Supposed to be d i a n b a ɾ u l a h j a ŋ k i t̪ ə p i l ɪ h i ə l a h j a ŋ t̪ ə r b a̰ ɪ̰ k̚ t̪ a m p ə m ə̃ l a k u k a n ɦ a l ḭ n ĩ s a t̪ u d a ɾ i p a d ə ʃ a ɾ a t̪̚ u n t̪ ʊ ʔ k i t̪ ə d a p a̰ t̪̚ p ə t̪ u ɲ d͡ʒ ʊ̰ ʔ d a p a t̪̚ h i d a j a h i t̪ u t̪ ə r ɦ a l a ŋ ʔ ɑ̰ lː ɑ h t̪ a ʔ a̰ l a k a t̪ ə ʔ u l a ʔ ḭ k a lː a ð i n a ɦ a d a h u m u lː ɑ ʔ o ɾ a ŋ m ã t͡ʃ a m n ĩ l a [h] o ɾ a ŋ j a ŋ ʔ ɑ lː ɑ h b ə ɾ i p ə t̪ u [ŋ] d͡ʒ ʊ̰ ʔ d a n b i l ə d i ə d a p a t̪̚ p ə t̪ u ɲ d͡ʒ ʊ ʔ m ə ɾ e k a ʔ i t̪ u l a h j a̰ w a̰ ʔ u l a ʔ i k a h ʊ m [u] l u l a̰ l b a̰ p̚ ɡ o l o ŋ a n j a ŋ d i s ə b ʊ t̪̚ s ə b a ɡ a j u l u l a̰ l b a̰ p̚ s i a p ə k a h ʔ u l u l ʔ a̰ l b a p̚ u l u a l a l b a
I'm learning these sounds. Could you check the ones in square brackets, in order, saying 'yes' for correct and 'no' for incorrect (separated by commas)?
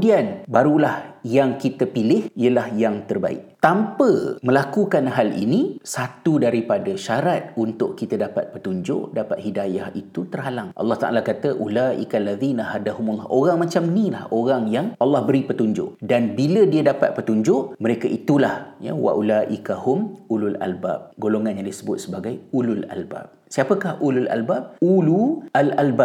yes, no, yes